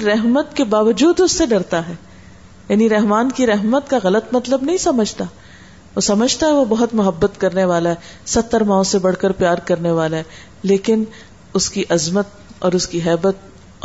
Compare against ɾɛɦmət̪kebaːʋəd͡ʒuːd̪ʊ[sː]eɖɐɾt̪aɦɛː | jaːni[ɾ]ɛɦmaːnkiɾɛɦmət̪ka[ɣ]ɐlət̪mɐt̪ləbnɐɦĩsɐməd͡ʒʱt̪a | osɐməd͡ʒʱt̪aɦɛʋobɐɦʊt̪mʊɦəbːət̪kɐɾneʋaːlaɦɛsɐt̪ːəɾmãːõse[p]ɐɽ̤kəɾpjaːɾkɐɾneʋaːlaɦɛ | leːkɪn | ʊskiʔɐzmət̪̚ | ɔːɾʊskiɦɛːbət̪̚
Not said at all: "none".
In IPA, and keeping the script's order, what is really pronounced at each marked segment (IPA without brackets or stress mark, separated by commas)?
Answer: sː, ɾ, ɣ, b